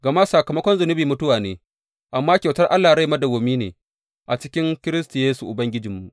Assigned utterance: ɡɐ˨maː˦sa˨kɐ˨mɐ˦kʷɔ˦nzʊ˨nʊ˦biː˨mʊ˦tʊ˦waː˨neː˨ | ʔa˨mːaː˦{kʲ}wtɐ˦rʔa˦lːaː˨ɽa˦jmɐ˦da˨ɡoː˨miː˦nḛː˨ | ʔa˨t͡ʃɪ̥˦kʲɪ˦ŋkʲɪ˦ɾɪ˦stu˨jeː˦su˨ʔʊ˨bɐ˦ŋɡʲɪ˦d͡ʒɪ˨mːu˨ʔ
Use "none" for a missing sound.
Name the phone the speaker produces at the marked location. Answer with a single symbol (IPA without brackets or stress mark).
kʲ